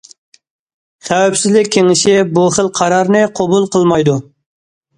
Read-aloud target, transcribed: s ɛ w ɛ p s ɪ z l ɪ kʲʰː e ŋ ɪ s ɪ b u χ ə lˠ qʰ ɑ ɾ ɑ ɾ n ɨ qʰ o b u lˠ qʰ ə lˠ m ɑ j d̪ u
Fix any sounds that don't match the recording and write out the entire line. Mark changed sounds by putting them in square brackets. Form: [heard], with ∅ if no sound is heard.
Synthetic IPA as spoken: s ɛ w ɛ p s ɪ z l ɪ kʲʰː e ŋ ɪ [ʃ] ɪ b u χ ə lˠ qʰ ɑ ɾ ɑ ɾ n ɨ qʰ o b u lˠ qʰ ə lˠ m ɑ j d̪ u